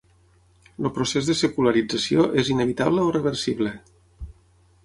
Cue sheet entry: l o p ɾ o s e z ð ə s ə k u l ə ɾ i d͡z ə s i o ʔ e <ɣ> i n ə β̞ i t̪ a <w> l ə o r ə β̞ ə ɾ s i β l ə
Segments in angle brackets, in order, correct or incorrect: incorrect, incorrect

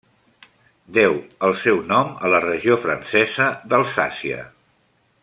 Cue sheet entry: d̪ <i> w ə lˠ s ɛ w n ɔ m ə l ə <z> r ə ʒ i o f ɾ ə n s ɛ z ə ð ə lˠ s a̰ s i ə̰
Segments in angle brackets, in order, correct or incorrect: incorrect, incorrect

